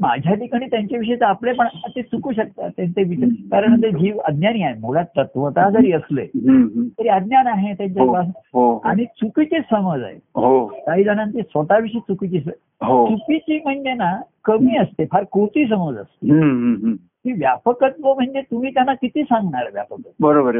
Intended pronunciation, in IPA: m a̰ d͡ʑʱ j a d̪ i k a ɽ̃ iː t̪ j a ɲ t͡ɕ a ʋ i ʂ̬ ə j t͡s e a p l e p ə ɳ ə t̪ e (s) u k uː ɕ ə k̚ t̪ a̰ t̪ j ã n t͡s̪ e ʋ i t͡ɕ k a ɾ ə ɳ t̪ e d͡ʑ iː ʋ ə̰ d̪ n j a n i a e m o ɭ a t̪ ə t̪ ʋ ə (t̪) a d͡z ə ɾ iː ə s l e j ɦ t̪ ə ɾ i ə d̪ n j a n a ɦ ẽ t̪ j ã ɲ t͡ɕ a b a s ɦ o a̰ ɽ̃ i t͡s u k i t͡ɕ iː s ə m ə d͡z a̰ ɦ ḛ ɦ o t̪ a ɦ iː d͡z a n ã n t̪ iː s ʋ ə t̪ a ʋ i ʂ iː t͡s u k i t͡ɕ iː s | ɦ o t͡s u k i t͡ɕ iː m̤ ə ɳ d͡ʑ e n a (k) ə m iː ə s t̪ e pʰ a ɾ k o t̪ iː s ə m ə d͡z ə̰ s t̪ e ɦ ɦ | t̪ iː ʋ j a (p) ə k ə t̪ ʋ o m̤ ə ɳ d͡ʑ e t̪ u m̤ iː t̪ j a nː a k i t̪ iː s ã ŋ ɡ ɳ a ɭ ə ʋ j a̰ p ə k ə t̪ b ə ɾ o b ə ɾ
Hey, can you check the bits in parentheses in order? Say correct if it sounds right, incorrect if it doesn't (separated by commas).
incorrect, correct, correct, correct